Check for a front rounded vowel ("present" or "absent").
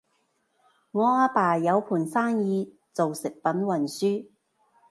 present